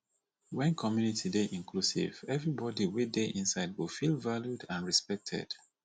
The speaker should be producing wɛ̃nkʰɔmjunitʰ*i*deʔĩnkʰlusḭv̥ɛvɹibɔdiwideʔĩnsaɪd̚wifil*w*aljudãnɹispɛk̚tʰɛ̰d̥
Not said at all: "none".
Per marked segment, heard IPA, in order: i, v

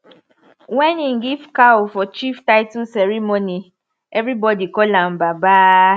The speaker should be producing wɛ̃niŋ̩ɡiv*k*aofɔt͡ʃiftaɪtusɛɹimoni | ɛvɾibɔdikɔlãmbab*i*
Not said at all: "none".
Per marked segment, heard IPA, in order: k, a

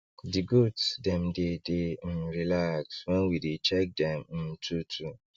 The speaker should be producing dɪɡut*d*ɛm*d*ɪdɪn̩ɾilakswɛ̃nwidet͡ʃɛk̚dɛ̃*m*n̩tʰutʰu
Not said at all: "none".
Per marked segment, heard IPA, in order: d, d, m

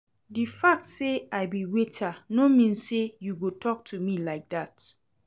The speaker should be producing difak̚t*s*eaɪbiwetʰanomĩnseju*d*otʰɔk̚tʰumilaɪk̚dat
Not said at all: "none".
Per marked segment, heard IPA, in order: s, ɡ

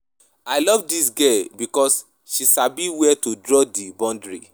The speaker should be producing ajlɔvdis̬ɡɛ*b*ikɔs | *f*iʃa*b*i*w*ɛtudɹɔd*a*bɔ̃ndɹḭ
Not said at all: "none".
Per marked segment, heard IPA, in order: b, ʃ, b, w, i

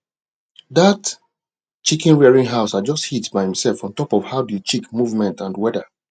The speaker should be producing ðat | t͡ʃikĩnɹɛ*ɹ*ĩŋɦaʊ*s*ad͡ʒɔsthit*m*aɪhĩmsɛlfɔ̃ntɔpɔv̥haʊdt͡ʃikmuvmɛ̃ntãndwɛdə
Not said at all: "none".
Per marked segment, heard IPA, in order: ɹ, s, b

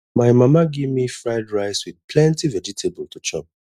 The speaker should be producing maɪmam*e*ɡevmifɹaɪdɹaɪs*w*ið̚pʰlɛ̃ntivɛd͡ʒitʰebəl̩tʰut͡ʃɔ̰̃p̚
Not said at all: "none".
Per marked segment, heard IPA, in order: a, w

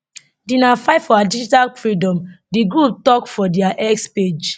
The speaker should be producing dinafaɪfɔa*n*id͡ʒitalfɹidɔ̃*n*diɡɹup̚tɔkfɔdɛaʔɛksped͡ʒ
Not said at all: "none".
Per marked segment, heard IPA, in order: d, m

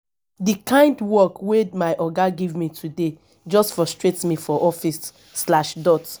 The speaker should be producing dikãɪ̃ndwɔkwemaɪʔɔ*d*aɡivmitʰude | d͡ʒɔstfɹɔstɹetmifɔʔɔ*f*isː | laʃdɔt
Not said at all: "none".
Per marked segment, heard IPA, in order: ɡ, f

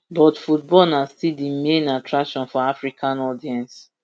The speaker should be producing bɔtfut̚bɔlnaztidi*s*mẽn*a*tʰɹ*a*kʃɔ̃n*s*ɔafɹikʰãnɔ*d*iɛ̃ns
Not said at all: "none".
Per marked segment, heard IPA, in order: none, a, a, f, d

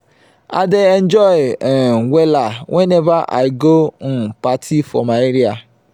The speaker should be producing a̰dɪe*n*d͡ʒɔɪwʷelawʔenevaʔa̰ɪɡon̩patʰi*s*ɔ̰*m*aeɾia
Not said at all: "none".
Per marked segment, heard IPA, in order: n, f, m

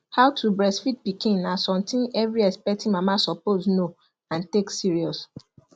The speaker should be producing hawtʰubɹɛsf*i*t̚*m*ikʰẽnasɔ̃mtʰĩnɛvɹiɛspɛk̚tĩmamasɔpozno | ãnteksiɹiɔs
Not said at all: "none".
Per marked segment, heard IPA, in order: i, b

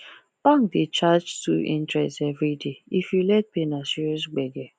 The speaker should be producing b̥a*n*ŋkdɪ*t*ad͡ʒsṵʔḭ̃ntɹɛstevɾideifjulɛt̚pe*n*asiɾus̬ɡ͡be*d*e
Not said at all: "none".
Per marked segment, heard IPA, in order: none, t͡ʃ, n, ɡ

